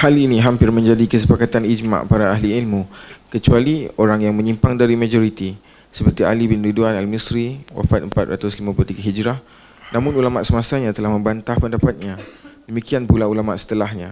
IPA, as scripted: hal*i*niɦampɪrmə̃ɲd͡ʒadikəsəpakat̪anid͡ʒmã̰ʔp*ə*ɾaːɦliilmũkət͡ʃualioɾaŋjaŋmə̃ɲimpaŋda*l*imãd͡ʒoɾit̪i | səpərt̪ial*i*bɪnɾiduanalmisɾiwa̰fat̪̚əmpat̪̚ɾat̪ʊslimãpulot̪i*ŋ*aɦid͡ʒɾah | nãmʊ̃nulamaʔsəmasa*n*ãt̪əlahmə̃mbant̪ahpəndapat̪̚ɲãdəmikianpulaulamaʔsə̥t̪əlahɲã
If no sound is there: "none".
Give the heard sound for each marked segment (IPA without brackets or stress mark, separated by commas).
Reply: i, a, ɾ, i, ɡ, ɲ